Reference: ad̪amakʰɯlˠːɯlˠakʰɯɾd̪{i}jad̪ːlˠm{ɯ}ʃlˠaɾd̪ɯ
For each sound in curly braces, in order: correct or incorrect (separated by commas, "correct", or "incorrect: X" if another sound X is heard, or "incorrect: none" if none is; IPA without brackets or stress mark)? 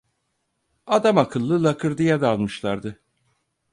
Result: correct, correct